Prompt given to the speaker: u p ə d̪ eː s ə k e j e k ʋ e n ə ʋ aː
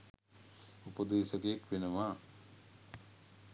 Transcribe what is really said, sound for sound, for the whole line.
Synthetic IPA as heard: u p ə d̪ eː s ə k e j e k ʋ e n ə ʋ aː

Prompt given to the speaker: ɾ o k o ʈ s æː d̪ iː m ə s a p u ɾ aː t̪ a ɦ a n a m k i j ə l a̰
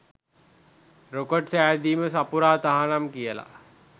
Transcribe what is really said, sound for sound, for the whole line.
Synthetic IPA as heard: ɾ o k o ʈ s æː d̪ iː m ə s a p u ɾ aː t̪ a ɦ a n a m k i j ə l a̰

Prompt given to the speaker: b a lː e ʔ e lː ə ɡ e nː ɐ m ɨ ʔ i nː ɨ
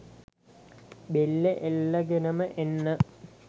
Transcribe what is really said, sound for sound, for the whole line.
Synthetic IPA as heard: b e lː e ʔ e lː ɐ ɡ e n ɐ m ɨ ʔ e nː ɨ

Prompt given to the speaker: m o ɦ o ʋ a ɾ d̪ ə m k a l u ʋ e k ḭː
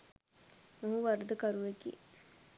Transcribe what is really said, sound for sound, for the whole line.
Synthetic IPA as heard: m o ɦ u ʋ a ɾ d̪ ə k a ɾ u ʋ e k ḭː

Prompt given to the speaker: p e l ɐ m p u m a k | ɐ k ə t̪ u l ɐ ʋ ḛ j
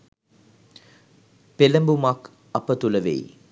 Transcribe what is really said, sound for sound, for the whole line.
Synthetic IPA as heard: p e l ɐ m b u m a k | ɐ p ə t̪ u l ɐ ʋ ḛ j

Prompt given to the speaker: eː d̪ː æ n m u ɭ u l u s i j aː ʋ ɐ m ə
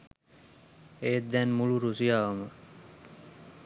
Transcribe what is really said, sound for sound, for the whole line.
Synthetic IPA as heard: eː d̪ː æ n m u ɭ u ɾ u s i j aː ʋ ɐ m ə

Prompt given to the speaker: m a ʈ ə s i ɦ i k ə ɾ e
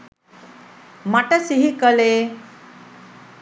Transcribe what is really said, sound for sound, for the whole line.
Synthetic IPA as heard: m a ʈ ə s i ɦ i k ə l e

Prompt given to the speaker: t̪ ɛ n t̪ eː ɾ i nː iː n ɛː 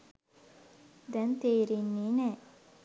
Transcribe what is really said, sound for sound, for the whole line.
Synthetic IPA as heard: d̪ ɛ n t̪ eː ɾ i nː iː n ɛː

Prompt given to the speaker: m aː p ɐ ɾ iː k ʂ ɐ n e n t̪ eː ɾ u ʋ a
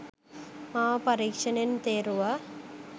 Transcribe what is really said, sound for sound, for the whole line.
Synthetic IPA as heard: m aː p ɐ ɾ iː k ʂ ɐ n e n t̪ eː ɾ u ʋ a

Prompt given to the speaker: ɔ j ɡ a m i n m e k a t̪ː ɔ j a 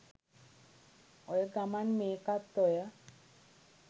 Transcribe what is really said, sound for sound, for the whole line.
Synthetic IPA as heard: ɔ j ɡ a m a n m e k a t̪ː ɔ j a

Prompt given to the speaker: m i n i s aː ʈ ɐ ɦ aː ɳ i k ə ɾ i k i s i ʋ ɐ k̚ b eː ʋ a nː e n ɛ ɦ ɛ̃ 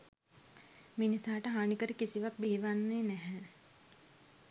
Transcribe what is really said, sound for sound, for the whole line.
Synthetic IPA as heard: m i n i s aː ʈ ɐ ɦ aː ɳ i k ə ɾ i k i s i ʋ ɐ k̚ b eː ʋ a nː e n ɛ ɦ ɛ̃

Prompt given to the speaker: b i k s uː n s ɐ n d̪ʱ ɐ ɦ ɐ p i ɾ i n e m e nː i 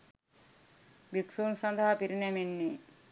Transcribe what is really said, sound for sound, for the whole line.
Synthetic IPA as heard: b i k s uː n s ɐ n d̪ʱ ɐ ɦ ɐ p i ɾ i n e m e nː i

